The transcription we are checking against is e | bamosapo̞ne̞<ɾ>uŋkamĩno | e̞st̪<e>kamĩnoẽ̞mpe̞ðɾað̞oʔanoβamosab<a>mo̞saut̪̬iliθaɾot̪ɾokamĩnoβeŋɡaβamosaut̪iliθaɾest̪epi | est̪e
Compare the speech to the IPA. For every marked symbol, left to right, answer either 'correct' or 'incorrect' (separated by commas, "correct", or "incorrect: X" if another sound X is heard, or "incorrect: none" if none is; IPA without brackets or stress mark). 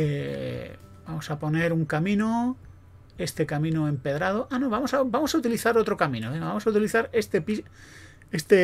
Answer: correct, correct, correct